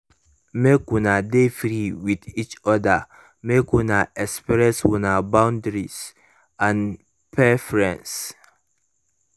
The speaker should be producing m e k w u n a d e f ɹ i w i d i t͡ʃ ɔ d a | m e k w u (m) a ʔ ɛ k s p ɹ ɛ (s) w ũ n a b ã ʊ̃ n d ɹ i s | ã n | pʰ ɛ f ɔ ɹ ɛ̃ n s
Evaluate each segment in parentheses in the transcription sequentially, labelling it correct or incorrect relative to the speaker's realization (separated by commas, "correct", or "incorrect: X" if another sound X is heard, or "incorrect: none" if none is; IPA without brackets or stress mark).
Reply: incorrect: n, correct